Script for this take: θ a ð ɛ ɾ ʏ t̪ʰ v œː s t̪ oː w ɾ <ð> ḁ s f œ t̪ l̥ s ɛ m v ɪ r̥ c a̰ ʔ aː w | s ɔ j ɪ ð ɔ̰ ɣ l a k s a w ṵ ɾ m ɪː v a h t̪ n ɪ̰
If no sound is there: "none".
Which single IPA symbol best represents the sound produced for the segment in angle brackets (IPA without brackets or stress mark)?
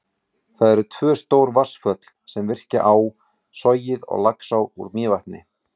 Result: v